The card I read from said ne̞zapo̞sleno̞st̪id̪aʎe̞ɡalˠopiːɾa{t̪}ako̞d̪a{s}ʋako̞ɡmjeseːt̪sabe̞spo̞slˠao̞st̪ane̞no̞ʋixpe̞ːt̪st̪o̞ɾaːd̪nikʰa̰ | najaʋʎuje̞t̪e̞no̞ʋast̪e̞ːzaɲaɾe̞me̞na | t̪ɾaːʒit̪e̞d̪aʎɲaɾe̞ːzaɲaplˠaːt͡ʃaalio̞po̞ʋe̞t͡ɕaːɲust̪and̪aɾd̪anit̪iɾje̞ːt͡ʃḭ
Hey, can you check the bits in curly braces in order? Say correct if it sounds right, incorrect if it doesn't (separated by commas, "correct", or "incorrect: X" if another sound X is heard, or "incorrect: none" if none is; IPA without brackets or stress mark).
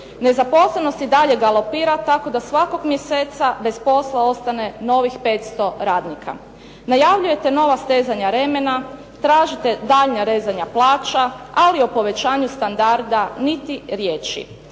correct, correct